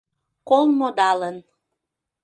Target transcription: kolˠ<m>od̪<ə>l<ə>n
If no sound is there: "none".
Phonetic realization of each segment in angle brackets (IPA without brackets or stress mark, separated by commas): m, ɑ, ə